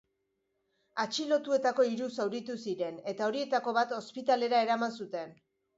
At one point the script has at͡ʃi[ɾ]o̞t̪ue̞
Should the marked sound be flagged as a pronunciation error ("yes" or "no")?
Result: yes